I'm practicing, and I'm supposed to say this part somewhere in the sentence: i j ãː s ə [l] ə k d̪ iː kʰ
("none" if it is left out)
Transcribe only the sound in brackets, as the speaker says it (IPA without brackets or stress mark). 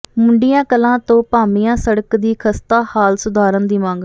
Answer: ɽ